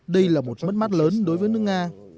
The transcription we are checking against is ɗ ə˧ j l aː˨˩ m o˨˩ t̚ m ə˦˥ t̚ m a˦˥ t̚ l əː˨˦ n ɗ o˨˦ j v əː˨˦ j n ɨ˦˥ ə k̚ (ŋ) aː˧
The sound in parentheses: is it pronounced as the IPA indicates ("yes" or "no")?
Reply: yes